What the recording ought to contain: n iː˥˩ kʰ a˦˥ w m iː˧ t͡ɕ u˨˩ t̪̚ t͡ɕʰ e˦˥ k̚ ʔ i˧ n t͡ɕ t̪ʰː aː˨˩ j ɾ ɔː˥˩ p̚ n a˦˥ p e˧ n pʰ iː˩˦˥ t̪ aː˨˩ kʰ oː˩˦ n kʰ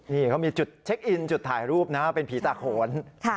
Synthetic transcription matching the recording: n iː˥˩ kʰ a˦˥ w m iː˧ t͡ɕ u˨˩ t̪̚ t͡ɕʰ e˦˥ k̚ ʔ i˧ n t͡ɕ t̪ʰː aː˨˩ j ɾ uː˥˩ p̚ n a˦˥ p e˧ n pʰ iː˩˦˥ t̪ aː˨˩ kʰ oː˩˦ n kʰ